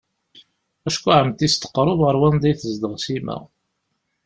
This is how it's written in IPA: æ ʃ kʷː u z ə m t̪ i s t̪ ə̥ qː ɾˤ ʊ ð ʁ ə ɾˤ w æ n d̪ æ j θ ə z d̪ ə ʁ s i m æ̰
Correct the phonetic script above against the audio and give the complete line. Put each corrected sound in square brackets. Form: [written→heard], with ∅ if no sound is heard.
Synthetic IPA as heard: æ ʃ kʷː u [z→ʕ] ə m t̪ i s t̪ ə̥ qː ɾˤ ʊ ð ʁ ə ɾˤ w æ n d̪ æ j θ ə z d̪ ə ʁ s i m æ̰